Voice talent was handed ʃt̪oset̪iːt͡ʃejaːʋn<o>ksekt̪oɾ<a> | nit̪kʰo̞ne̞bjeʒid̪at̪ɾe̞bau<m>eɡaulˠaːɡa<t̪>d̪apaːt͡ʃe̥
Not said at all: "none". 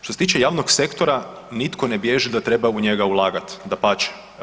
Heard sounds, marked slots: o, a, ɲ, t̪

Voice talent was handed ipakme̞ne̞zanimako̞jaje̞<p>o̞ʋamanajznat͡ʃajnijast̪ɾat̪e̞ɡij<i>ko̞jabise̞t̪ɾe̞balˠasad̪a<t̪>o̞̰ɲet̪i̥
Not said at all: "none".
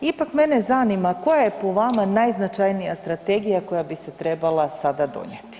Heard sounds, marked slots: p, a, d̪

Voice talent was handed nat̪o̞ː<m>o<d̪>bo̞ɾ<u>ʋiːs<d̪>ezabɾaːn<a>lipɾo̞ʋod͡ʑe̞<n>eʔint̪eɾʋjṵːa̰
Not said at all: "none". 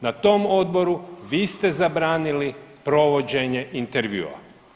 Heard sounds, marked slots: m, d̪, u, t̪, i, ɲ

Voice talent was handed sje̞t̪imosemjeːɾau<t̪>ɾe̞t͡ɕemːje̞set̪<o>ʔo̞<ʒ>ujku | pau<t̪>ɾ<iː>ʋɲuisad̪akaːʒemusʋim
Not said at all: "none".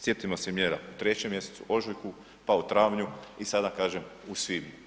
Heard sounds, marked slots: t̪, u, ʒ, t̪, aː

